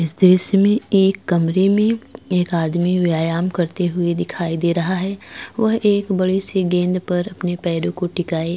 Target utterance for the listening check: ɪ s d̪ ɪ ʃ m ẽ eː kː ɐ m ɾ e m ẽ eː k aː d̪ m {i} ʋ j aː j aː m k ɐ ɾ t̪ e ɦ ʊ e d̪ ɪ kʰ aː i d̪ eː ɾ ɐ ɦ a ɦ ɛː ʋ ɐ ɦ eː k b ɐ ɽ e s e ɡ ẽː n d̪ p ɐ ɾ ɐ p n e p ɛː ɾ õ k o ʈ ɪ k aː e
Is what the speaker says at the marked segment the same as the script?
yes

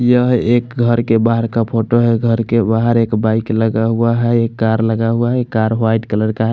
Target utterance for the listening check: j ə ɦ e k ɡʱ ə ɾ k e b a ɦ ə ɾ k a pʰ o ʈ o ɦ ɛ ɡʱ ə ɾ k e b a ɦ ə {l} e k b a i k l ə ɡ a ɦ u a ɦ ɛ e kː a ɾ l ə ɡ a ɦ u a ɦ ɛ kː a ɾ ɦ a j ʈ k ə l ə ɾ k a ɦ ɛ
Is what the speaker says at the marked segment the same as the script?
no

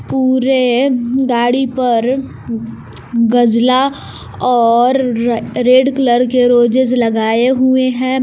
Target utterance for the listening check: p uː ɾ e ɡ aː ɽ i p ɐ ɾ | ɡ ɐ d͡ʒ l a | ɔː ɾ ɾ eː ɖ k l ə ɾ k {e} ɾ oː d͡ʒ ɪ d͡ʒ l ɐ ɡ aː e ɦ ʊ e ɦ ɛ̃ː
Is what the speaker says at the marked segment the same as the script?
yes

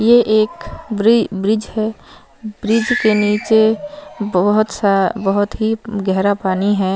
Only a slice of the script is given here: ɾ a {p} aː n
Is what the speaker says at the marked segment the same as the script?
yes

